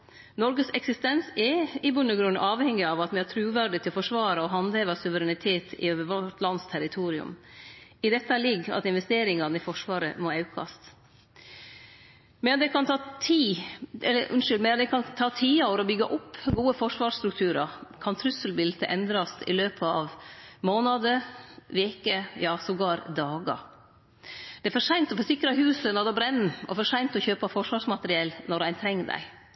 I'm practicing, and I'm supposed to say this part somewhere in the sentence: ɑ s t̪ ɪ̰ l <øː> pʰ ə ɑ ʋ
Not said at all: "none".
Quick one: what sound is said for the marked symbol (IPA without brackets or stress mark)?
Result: øː